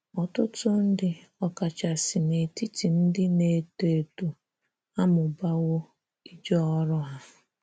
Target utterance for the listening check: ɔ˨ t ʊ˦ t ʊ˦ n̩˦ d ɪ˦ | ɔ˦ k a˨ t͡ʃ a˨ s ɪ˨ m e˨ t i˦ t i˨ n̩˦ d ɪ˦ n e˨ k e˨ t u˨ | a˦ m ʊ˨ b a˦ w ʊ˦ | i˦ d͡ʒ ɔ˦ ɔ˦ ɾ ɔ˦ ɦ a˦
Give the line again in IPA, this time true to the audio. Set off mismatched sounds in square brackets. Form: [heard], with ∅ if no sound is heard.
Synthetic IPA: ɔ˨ t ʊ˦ t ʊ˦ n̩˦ d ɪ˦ | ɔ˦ k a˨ t͡ʃ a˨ s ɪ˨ [n] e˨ t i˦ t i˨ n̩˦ d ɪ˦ n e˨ [t] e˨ t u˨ | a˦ m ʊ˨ b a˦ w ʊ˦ | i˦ d͡ʒ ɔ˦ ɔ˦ ɾ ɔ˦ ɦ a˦